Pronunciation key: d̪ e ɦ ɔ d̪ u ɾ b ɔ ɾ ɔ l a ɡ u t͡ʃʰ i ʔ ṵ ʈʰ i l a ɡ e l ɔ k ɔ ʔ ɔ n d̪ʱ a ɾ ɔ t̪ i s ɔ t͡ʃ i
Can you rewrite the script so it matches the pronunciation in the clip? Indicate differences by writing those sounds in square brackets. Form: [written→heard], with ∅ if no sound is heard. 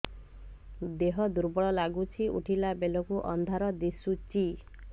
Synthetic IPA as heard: d̪ e ɦ ɔ d̪ u ɾ b ɔ [ɾ→ɭ] ɔ l a ɡ u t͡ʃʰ i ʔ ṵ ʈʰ i l a [ɡ→b] e l ɔ k [ɔ→u] ʔ ɔ n d̪ʱ a ɾ ɔ [t̪→d̪] i s [ɔ→u] t͡ʃ i